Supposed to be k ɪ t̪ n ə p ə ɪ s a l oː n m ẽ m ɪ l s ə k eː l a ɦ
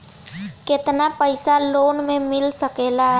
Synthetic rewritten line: k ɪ t̪ n a p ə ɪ s a l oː n m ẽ m ɪ l s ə k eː l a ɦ